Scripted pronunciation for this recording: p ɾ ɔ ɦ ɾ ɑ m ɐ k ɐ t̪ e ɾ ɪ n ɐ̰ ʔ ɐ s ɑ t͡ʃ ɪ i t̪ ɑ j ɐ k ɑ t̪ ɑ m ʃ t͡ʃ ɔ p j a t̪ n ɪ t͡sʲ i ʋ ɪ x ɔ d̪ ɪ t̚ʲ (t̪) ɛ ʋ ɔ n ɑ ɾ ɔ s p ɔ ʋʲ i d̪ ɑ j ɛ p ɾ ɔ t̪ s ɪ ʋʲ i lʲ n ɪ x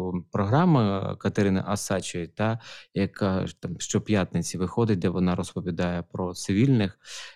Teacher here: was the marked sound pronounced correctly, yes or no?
no